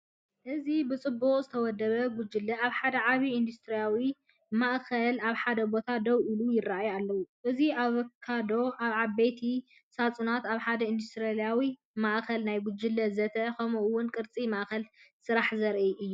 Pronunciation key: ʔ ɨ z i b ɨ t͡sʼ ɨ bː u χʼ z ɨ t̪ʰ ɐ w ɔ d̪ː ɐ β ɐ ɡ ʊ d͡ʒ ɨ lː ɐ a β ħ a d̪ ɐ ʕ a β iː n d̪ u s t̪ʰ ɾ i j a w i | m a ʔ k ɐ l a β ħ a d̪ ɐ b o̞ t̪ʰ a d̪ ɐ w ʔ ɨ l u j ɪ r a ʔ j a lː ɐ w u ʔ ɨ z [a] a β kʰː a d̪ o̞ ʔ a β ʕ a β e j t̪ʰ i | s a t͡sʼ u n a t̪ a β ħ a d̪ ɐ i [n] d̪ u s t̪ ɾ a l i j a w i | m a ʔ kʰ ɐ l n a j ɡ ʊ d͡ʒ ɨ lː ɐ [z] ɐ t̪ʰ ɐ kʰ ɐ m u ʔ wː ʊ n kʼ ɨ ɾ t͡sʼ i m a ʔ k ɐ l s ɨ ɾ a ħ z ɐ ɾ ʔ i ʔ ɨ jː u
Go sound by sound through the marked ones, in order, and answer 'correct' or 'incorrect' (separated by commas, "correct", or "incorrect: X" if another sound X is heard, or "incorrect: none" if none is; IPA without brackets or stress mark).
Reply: incorrect: i, correct, correct